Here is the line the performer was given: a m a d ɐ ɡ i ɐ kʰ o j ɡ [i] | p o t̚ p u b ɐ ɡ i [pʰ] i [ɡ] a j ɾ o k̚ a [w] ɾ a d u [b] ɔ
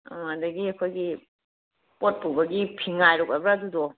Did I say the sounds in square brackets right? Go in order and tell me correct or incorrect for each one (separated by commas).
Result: correct, correct, incorrect, incorrect, incorrect